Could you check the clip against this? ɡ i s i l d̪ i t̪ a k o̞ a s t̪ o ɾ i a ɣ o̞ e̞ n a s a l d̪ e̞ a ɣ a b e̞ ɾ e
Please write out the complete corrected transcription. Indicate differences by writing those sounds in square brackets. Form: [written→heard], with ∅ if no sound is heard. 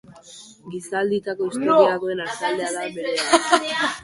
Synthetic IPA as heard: ɡ i s [i→a] l d̪ i t̪ a k o̞ [a→i] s t̪ o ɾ i a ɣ o̞ e̞ n a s a l d̪ e̞ a [ɣ→ð] a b e̞ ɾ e